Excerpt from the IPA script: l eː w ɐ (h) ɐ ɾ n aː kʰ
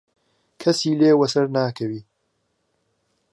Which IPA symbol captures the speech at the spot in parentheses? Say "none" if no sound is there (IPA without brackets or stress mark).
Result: s